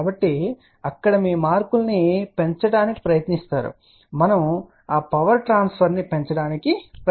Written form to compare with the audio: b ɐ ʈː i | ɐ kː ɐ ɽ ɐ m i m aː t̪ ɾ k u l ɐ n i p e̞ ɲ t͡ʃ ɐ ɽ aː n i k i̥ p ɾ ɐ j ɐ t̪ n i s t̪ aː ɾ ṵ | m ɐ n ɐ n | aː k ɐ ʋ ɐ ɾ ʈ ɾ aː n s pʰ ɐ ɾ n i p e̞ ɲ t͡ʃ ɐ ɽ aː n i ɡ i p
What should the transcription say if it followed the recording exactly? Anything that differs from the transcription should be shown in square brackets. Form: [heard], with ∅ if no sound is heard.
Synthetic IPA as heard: b ɐ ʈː i | ɐ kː ɐ ɽ ɐ m [iː] m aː [∅] ɾ k u l ɐ n i p e̞ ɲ t͡ʃ ɐ ɽ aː n i k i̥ p ɾ ɐ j ɐ t̪ n i s t̪ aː ɾ ṵ | m ɐ n ɐ [m] | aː [p] ɐ ʋ ɐ ɾ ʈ ɾ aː n s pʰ ɐ ɾ n i p e̞ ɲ t͡ʃ ɐ ɽ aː n i [k] i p

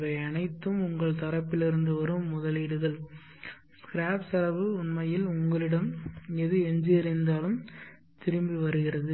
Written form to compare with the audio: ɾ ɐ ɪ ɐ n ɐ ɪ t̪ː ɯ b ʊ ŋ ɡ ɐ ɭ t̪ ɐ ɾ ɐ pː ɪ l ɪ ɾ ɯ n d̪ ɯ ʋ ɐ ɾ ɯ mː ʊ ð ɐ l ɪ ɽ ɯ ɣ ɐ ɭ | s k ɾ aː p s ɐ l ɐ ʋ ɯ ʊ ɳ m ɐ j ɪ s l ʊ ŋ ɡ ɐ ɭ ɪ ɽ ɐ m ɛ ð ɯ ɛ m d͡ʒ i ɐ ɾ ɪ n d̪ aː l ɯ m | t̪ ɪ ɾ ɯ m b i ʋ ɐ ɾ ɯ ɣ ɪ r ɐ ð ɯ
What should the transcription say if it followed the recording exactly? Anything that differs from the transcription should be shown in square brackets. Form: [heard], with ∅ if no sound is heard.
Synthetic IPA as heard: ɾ ɐ ɪ ɐ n ɐ ɪ t̪ː ɯ [m] ʊ ŋ ɡ ɐ ɭ t̪ ɐ ɾ ɐ pː ɪ l ɪ ɾ ɯ n d̪ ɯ ʋ ɐ ɾ ɯ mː ʊ ð ɐ l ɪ ɽ ɯ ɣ ɐ ɭ | s k ɾ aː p s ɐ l ɐ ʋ ɯ ʊ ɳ m ɐ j ɪ [∅] l ʊ ŋ ɡ ɐ ɭ ɪ ɽ ɐ m ɛ ð ɯ ɛ [ɲ] d͡ʒ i ɐ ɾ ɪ n d̪ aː l ɯ m | t̪ ɪ ɾ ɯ m b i ʋ ɐ ɾ ɯ ɣ ɪ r ɐ ð ɯ

